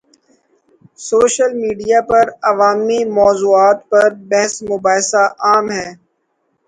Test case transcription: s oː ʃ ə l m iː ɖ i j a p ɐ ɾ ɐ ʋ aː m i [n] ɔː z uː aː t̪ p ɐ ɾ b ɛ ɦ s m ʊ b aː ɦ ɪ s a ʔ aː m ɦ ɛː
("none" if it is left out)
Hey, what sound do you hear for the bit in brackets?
m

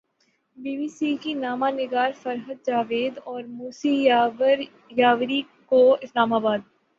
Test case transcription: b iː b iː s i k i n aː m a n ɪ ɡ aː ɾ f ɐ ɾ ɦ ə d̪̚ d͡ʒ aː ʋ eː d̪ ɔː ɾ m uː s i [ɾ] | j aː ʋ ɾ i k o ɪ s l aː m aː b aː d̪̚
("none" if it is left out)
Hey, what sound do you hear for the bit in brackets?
ɾ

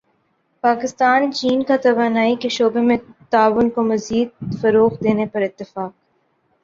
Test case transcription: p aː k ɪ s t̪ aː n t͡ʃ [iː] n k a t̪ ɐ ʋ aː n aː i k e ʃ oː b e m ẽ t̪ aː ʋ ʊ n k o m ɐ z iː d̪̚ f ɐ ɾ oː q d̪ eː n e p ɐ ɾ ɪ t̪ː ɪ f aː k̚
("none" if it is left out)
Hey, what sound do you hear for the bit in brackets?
iː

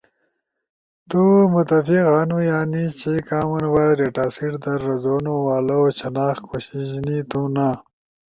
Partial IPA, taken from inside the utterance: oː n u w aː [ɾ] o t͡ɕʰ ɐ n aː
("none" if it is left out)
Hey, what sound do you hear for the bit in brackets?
l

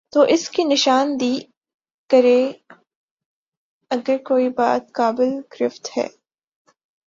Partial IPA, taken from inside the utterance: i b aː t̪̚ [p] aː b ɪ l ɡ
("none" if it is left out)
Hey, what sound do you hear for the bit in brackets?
k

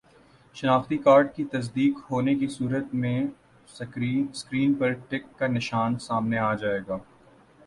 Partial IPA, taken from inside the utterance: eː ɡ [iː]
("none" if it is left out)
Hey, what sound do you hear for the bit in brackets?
aː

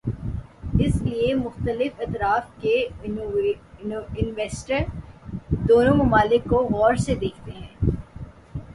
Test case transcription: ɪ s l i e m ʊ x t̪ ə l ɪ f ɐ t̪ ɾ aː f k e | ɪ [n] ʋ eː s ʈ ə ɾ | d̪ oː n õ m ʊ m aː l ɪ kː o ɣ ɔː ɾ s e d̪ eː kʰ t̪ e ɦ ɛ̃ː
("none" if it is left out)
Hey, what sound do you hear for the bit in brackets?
n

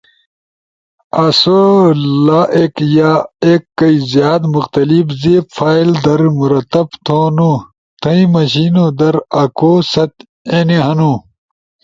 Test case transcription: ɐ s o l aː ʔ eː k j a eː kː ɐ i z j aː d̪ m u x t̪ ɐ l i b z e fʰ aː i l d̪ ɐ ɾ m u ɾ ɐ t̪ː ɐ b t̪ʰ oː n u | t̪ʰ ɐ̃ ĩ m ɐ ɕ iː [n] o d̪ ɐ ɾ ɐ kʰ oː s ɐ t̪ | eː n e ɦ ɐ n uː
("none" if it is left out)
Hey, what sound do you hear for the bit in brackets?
n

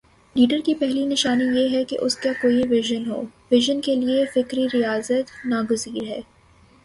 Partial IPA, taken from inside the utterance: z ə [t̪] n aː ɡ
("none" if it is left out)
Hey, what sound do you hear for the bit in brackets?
t̪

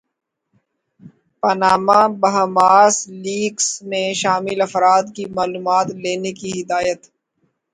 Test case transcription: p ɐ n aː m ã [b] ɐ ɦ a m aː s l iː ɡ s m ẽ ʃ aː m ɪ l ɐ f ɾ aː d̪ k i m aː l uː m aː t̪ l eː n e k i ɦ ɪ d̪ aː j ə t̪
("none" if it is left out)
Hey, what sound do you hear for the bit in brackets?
b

